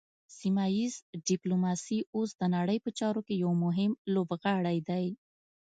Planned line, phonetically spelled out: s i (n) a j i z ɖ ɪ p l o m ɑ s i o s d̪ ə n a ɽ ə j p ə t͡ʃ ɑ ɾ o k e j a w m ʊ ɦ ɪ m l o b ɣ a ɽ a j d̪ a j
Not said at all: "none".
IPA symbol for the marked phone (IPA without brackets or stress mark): m